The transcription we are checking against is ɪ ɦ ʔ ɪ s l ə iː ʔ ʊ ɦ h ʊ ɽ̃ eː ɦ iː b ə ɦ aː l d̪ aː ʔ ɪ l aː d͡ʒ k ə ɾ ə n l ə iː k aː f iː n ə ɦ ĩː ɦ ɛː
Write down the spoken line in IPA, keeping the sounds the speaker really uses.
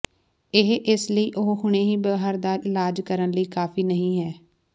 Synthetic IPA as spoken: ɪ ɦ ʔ ɪ s l ə iː ʔ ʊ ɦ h ʊ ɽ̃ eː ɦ iː b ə ɦ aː ɾ d̪ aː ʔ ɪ l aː d͡ʒ k ə ɾ ə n l ə iː k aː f iː n ə ɦ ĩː ɦ ɛː